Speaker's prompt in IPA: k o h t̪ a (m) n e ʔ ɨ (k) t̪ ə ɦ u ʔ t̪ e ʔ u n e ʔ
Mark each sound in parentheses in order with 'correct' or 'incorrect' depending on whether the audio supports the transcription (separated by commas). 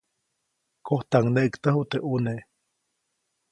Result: incorrect, correct